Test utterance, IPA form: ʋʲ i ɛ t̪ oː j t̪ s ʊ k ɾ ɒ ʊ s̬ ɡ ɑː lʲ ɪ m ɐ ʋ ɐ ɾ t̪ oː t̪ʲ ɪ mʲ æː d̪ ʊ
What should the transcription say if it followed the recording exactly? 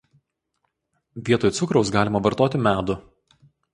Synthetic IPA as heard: ʋʲ i ɛ t̪ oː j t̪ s ʊ k ɾ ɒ ʊ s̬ ɡ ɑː lʲ ɪ m ɐ ʋ ɐ ɾ t̪ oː t̪ʲ ɪ mʲ æː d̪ ʊ